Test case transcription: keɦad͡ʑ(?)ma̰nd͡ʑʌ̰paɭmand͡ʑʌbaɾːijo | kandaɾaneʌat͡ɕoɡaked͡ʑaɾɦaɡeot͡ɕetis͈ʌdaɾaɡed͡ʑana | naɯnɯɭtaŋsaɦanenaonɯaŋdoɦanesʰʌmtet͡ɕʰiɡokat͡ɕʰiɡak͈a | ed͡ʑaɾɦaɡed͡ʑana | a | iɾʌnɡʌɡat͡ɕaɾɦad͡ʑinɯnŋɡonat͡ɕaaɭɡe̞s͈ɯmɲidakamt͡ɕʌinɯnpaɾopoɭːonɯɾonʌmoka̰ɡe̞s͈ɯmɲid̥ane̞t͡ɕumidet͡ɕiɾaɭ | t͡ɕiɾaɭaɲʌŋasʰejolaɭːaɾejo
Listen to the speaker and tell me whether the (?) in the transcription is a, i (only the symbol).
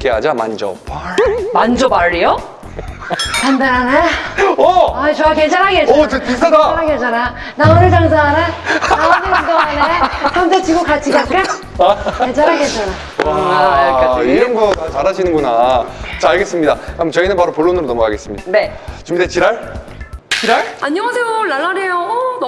a